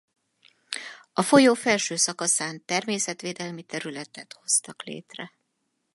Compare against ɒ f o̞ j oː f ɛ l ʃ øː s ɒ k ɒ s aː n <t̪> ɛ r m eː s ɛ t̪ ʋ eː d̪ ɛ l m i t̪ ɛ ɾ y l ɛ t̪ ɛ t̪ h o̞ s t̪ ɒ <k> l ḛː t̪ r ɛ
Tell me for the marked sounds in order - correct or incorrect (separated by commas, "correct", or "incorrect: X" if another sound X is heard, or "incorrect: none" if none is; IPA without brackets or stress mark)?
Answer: correct, correct